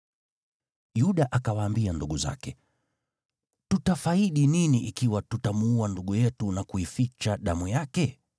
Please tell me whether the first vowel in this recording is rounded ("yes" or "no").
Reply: yes